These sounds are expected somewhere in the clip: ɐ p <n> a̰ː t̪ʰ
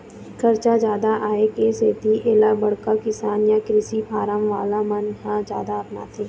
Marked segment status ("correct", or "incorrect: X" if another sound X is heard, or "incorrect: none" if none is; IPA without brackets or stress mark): correct